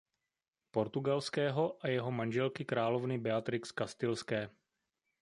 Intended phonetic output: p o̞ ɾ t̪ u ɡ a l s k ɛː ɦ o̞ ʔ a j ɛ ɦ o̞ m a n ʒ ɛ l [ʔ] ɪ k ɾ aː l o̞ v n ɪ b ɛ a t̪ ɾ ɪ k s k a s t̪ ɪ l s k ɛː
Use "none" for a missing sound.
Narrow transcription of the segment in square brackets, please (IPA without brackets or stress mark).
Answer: k